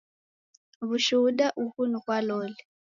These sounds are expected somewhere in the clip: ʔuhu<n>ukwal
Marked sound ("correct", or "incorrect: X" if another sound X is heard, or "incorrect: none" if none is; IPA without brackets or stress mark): correct